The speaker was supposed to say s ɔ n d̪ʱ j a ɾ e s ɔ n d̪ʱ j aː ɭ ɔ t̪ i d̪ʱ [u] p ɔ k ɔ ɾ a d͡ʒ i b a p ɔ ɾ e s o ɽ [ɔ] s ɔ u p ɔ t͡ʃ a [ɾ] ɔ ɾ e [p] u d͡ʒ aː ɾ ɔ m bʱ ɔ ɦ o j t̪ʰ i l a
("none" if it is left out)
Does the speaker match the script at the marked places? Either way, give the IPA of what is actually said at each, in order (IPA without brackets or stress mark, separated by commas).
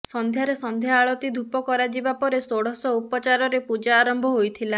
u, ɔ, ɾ, p